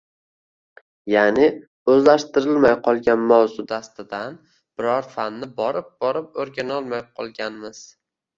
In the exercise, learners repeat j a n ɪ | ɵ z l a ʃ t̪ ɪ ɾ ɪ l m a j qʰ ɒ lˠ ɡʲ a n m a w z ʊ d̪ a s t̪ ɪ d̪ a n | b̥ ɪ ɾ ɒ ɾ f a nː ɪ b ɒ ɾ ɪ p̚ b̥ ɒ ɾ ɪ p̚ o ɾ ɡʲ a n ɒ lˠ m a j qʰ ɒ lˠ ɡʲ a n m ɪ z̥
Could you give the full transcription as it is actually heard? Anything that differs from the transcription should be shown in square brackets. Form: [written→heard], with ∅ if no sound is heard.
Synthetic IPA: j a n ɪ | ɵ z l a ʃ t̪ ɪ ɾ ɪ l m a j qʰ ɒ lˠ ɡʲ a n m a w z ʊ d̪ a s t̪ ɪ d̪ a n | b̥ ɪ ɾ ɒ ɾ f a nː ɪ b ɒ ɾ ɪ p̚ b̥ ɒ ɾ ɪ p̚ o ɾ ɡʲ a n ɒ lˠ m a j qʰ ɒ lˠ ɡʲ a n m ɪ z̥